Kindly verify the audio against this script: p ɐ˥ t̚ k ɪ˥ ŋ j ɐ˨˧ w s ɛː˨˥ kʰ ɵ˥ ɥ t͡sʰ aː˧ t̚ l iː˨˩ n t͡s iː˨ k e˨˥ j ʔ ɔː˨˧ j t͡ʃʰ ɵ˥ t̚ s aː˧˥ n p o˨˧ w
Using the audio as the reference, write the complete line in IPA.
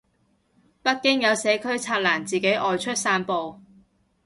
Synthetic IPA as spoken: p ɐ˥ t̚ k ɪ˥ ŋ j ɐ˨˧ w s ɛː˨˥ kʰ ɵ˥ ɥ t͡sʰ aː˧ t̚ l aː˨˩ n t͡s iː˨ k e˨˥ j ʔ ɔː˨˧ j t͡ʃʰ ɵ˥ t̚ s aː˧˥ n p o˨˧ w